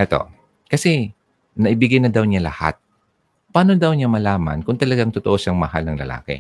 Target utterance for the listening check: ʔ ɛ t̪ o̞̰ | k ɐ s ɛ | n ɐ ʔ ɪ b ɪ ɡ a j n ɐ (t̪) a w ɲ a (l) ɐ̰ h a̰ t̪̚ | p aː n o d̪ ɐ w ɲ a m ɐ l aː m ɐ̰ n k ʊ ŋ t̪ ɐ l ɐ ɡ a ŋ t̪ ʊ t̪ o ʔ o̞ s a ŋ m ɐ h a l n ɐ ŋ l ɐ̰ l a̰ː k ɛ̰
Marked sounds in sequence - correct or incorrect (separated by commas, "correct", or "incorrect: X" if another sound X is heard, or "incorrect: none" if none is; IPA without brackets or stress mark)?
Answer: incorrect: d̪, correct